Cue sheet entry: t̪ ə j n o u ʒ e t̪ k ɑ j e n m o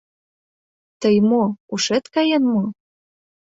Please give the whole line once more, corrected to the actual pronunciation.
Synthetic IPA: t̪ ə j m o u ʃ e t̪ k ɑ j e n m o